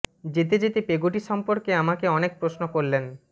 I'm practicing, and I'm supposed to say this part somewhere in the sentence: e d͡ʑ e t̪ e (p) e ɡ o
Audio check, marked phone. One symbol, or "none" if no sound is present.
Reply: p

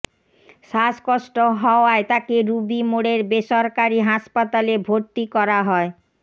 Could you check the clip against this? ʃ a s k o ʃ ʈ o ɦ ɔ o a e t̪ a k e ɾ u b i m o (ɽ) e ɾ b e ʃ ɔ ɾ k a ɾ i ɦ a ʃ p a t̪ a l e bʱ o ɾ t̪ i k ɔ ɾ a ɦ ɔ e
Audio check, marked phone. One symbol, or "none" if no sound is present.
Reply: ɽ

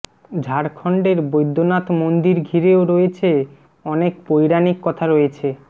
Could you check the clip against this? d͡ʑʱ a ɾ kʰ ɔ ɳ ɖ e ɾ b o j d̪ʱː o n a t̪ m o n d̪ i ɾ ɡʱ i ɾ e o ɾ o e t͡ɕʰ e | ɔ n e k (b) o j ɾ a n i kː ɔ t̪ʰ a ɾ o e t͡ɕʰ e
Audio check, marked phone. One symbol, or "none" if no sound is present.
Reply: p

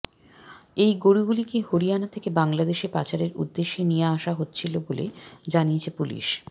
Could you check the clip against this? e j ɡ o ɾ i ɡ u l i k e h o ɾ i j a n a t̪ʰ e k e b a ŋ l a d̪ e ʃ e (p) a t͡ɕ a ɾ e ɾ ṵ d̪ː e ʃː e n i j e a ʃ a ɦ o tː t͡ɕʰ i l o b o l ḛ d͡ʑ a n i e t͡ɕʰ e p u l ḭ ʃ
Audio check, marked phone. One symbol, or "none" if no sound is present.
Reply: p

